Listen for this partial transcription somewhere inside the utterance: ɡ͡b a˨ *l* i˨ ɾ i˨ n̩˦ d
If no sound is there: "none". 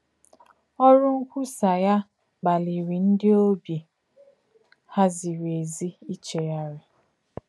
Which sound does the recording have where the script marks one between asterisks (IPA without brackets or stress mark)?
l